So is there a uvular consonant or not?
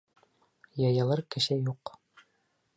yes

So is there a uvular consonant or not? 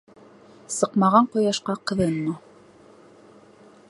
yes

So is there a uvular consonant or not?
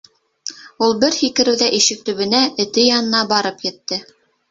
no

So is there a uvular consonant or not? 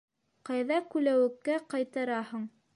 yes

